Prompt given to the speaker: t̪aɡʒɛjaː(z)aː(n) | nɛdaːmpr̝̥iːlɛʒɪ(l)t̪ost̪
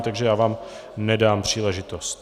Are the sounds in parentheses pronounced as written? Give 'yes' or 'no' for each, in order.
no, no, no

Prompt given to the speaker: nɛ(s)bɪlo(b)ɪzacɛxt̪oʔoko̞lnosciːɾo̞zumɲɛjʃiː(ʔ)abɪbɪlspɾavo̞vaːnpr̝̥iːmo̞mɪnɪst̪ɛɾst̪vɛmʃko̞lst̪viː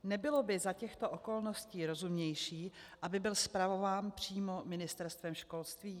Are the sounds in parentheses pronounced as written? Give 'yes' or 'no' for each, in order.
no, yes, yes

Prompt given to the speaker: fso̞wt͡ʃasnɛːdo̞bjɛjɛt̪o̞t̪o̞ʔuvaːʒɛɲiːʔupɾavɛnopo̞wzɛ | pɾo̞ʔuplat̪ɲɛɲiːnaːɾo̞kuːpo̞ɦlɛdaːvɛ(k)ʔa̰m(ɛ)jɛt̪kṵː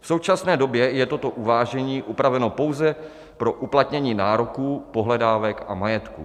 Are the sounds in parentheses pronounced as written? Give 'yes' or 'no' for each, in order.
yes, no

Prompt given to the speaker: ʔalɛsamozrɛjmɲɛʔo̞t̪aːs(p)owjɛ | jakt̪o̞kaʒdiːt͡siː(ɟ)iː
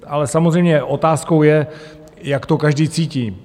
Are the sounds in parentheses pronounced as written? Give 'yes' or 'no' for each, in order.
no, no

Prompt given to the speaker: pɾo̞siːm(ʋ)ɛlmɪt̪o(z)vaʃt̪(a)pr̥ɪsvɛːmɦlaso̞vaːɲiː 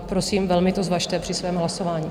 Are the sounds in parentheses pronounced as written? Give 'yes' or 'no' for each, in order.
no, yes, no

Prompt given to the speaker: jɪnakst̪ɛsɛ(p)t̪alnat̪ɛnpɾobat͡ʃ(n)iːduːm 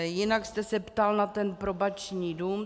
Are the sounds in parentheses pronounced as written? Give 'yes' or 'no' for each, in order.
yes, no

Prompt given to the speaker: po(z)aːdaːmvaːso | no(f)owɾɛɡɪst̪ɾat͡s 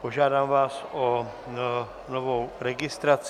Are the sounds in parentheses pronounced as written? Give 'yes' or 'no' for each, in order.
no, no

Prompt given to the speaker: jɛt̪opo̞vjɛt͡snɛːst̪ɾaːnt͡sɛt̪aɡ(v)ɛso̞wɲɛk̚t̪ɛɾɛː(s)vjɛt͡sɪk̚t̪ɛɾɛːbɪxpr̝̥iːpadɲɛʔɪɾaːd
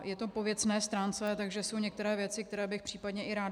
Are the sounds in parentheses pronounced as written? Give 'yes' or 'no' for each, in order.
no, no

